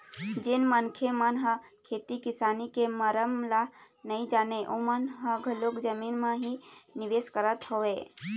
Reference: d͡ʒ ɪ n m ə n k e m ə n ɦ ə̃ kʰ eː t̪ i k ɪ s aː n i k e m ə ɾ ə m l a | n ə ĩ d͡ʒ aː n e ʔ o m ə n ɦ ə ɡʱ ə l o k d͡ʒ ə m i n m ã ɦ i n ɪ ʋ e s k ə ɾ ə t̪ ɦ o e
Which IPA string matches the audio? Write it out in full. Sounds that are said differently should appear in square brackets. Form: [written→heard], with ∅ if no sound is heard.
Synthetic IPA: d͡ʒ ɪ n m ə n [k→kʰ] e m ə n ɦ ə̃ kʰ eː t̪ i k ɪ s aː n i k e m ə ɾ ə m l a | n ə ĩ d͡ʒ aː n e ʔ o m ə n ɦ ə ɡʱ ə l o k d͡ʒ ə m i n m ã ɦ i n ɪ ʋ e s k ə ɾ ə t̪ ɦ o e